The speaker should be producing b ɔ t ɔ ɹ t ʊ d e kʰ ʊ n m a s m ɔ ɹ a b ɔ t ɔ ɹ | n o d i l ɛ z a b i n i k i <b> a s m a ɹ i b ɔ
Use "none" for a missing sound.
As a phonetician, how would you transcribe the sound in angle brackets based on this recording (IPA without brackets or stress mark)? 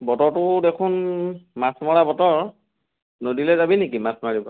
m